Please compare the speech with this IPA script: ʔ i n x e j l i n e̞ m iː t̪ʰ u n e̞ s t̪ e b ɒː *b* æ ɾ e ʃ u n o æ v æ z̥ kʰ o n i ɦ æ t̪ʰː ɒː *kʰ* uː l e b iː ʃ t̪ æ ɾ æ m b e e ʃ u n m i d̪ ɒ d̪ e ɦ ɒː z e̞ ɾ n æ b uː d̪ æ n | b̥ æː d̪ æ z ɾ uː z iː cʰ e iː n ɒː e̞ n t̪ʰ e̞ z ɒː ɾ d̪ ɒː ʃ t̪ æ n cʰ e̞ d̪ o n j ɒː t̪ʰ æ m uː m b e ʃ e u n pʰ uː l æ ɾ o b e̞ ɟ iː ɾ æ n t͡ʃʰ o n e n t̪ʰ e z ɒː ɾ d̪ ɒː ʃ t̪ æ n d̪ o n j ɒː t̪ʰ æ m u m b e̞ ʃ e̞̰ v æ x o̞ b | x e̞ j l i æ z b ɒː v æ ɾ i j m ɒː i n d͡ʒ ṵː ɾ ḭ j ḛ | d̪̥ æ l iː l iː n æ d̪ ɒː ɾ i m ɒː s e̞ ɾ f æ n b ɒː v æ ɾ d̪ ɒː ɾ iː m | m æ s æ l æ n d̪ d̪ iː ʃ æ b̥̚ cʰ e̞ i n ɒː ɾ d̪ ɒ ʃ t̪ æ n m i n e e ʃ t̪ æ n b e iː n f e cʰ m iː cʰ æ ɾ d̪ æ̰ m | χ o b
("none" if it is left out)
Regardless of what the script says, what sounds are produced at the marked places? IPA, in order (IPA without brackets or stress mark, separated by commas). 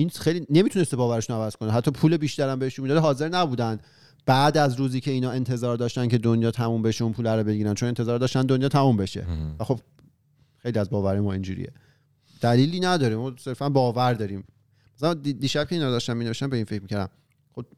v, pʰ